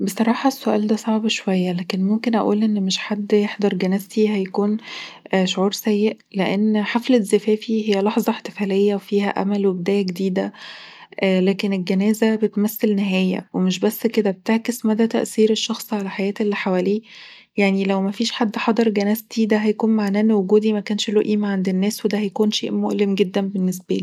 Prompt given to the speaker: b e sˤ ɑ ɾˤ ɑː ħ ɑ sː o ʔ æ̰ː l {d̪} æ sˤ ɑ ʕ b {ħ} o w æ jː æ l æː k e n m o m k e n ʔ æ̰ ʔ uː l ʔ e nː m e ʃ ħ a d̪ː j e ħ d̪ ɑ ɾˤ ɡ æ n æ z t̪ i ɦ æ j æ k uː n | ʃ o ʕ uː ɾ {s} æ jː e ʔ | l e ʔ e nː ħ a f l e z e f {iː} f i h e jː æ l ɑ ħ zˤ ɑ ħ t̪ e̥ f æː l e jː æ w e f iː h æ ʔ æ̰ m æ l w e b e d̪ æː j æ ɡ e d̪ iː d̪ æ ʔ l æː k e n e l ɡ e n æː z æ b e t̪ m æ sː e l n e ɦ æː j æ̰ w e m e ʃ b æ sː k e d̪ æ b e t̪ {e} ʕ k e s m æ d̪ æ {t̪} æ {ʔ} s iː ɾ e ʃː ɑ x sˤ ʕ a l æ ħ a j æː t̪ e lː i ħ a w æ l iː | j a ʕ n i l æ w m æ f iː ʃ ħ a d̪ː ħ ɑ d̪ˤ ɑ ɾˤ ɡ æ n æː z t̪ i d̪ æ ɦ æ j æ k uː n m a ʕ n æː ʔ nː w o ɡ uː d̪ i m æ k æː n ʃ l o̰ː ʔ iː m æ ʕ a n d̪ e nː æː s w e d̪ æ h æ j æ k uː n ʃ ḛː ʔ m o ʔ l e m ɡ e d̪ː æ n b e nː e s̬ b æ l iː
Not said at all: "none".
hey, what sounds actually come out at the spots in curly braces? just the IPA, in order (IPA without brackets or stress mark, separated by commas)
d̪, ʃ, s, æː, e, t̪, ʔ